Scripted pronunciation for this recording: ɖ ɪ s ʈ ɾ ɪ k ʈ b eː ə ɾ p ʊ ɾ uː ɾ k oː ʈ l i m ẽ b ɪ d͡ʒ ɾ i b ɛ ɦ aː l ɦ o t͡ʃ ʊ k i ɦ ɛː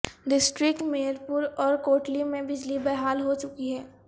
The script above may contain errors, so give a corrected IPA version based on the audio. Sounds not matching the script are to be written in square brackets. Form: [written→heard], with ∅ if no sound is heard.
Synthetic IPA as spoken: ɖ ɪ s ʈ ɾ ɪ k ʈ [b→m] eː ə ɾ p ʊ ɾ [uː→ɔː] ɾ k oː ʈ l i m ẽ b ɪ d͡ʒ [ɾ→l] i b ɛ ɦ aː l ɦ o t͡ʃ ʊ k i ɦ ɛː